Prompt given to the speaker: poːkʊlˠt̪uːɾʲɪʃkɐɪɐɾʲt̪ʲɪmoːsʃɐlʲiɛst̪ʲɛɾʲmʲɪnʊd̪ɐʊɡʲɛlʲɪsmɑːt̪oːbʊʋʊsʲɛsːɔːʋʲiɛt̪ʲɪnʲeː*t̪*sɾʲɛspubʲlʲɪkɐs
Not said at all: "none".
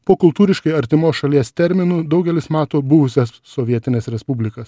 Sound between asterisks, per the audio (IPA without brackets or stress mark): none